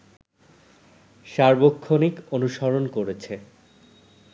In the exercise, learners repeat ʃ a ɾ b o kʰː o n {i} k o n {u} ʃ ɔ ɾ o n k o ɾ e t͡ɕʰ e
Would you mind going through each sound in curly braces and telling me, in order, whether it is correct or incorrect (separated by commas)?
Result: correct, correct